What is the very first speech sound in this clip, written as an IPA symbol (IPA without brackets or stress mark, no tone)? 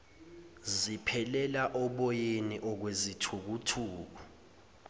z